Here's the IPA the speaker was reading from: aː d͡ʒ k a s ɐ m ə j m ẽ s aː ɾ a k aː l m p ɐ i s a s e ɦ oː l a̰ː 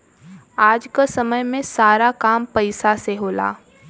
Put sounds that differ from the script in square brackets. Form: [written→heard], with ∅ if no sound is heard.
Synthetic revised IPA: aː d͡ʒ k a s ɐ m ə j m ẽ s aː ɾ a k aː [l→∅] m p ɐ [i→ɪ] s a s e ɦ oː l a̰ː